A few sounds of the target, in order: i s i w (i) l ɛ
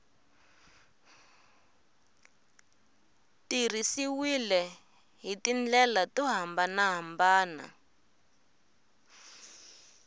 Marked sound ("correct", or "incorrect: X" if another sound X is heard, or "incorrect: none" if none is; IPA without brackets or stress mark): correct